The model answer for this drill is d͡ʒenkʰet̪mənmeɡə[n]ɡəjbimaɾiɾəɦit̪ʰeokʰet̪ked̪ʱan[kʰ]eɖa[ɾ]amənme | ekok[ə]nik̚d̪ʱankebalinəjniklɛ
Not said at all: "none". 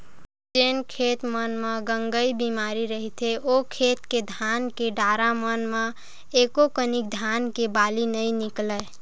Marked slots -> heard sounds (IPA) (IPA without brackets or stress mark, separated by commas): ŋ, k, ɾ, ə